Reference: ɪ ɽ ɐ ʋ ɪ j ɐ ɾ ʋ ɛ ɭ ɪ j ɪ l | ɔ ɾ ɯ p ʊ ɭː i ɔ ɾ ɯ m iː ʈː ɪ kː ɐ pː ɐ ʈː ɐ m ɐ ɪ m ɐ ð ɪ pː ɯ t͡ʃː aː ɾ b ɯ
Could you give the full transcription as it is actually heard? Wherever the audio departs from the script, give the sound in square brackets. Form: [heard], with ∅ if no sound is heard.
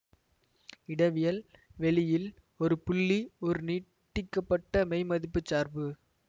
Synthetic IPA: ɪ ɽ ɐ ʋ ɪ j ɐ [l] ʋ ɛ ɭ ɪ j ɪ l | ɔ ɾ ɯ p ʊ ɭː i ɔ ɾ ɯ [n] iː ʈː ɪ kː ɐ pː ɐ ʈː ɐ m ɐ ɪ m ɐ ð ɪ pː ɯ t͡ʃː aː ɾ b ɯ